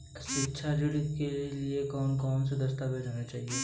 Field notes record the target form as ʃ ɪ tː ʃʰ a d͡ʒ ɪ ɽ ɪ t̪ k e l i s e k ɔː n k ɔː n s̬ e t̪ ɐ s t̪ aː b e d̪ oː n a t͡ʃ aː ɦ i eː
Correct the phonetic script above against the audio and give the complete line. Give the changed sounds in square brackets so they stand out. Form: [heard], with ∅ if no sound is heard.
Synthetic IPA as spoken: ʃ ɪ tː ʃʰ a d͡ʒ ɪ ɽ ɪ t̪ k e l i [∅] e k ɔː n k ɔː n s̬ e [d̪] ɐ s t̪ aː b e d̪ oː n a t͡ʃ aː ɦ i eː